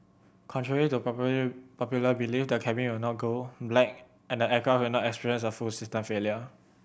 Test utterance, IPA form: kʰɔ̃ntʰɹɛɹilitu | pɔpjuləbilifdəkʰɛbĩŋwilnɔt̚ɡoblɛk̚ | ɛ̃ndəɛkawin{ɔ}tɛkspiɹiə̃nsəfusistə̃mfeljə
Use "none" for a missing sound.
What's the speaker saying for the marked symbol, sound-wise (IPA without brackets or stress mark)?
ɔ